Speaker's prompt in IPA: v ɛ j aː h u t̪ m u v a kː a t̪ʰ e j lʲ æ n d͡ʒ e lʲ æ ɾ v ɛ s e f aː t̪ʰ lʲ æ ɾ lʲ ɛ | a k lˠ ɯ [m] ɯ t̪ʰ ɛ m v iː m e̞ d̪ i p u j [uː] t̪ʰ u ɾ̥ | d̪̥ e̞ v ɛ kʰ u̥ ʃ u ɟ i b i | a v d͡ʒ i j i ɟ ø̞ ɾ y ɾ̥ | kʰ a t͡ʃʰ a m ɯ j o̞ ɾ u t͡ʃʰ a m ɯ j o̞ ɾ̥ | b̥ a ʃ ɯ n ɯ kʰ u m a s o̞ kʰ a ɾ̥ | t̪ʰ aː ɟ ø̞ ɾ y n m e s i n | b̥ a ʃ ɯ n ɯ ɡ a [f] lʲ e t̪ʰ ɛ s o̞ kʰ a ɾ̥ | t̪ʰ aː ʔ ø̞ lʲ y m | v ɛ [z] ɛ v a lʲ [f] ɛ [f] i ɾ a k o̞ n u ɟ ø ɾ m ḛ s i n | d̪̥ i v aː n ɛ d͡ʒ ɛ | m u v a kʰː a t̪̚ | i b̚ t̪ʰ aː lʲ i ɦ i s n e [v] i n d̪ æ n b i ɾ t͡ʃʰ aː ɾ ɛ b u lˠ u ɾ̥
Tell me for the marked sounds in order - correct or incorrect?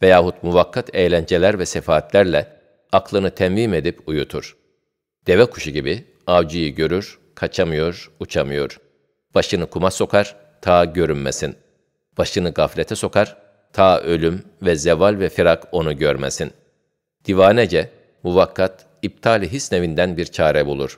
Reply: incorrect, incorrect, correct, correct, incorrect, correct, correct

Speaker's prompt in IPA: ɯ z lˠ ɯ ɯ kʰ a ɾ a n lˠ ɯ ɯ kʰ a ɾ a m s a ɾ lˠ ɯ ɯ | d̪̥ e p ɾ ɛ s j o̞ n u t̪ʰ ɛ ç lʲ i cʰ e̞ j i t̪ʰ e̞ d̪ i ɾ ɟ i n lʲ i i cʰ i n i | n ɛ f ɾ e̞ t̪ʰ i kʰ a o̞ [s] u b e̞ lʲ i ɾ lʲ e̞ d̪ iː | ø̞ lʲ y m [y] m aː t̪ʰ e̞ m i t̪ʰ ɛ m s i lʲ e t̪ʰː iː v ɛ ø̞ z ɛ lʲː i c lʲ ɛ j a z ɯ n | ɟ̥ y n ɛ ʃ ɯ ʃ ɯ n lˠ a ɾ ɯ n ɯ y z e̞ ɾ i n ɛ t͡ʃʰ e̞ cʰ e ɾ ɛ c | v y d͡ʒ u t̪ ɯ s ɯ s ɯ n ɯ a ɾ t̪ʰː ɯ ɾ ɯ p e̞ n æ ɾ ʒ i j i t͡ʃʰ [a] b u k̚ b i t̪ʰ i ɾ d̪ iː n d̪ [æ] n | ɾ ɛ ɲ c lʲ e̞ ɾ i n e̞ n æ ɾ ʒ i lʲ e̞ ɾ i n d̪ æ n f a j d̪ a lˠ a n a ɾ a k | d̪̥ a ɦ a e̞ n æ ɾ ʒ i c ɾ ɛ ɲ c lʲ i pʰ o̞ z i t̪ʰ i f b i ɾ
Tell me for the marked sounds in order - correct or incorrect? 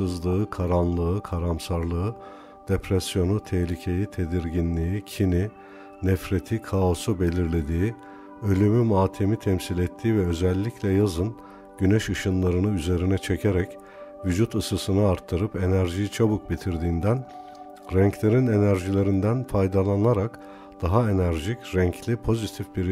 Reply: correct, correct, correct, correct

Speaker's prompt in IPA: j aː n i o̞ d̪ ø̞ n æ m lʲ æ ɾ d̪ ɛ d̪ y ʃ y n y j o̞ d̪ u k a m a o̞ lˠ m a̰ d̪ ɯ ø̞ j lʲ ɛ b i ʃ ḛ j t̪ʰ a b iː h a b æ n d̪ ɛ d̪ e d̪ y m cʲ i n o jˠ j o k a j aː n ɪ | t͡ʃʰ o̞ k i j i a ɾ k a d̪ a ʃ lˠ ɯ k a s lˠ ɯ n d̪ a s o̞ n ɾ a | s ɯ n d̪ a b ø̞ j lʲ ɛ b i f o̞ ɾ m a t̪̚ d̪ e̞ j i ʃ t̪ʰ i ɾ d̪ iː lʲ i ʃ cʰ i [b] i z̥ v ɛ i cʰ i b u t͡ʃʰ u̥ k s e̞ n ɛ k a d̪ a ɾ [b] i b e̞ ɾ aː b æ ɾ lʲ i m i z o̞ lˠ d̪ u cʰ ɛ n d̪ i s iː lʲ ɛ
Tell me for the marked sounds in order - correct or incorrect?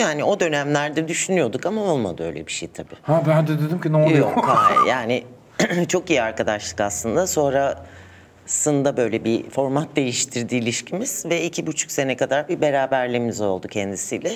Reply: incorrect, correct

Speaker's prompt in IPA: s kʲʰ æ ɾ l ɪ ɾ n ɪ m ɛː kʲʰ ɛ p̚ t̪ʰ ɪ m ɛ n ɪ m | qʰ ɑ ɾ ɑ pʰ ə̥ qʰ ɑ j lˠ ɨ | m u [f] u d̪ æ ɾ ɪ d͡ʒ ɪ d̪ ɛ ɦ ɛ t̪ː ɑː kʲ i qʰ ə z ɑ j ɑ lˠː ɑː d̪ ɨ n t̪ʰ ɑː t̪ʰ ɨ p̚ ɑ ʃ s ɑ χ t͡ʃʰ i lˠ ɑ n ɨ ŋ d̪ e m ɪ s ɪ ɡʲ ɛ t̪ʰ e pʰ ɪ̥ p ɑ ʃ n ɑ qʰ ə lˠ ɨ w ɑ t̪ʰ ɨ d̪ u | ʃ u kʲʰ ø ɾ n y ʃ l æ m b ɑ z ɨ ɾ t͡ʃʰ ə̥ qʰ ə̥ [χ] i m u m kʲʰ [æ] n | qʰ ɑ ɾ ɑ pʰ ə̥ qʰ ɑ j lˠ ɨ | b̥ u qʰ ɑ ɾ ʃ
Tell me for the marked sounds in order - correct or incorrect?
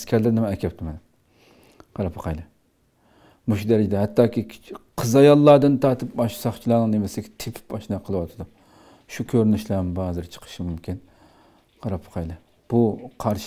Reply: incorrect, incorrect, incorrect

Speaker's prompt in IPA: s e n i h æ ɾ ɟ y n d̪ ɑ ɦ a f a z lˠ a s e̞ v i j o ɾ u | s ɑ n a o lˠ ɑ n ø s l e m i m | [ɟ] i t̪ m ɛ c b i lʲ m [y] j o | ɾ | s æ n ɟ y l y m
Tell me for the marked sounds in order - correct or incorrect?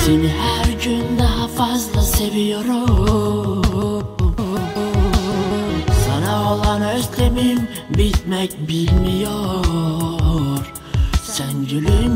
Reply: incorrect, incorrect

